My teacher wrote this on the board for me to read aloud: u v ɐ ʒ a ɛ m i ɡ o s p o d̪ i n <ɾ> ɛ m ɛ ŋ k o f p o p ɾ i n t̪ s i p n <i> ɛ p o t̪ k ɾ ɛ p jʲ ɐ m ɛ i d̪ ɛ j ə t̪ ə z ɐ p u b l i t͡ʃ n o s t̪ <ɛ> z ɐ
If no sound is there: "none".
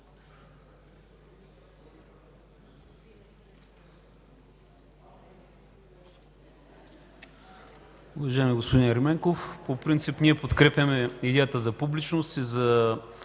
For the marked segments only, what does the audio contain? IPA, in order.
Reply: ɾ, i, i

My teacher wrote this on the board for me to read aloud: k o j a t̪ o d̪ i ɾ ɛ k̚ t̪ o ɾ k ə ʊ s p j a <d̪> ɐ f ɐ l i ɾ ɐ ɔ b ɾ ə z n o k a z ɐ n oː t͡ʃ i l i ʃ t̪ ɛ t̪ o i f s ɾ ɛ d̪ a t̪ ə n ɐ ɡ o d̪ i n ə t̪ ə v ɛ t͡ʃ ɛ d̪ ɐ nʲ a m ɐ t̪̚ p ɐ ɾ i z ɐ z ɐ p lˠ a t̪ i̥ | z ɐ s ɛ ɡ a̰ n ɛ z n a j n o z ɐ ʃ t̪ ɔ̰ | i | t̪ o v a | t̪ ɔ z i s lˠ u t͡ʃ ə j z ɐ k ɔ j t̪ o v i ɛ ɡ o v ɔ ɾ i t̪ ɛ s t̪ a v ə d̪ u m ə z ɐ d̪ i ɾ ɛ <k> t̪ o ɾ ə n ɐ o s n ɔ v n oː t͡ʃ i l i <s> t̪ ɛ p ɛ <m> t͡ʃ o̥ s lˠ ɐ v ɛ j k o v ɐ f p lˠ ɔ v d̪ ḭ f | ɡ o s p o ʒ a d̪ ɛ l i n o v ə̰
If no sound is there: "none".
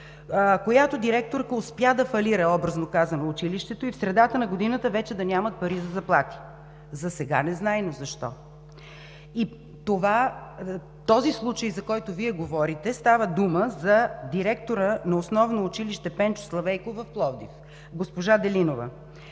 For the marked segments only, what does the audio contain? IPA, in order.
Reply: d̪, k, ʃ, n

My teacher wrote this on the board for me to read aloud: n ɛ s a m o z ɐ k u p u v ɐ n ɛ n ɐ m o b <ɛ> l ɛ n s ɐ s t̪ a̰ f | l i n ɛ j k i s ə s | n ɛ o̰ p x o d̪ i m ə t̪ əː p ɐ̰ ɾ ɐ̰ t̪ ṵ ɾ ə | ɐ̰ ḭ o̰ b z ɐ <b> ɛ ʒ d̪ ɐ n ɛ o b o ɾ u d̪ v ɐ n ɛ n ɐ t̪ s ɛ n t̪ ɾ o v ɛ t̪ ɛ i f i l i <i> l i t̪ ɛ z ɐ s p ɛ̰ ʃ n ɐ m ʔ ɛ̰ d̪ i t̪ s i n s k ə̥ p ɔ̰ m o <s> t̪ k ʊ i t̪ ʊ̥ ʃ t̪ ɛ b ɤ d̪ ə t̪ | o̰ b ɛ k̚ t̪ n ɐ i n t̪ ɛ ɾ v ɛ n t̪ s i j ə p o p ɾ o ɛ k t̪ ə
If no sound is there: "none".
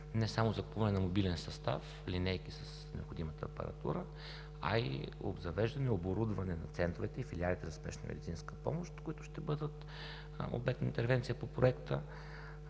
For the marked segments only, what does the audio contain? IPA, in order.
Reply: i, v, a, ʃ

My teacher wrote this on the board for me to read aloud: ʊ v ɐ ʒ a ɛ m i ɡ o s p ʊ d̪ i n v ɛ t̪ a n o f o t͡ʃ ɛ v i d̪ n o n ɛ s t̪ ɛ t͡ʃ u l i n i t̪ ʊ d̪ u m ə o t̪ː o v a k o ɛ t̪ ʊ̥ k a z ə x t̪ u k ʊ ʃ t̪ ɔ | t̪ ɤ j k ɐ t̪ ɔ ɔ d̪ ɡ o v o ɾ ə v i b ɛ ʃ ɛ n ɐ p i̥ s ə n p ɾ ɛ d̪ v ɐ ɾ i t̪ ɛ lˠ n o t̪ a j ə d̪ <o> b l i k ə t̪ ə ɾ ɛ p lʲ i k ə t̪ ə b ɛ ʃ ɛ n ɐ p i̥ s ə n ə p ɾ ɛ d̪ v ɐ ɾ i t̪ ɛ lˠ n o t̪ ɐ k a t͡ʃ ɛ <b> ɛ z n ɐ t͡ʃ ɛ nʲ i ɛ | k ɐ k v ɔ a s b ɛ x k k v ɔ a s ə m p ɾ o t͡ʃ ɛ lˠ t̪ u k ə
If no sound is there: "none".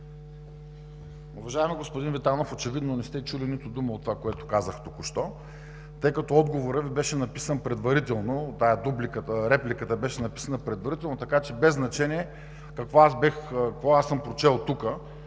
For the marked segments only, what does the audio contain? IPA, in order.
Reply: u, b

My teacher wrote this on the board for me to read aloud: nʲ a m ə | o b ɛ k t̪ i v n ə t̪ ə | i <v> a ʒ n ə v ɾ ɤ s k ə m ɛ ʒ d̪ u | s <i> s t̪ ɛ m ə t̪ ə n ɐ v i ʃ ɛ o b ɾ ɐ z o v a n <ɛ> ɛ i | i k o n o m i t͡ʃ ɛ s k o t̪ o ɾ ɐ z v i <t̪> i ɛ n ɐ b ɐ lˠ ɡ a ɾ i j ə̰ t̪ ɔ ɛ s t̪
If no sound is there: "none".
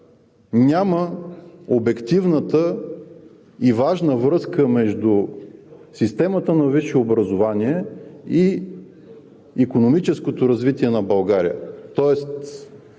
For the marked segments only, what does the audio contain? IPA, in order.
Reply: v, i, i, t̪

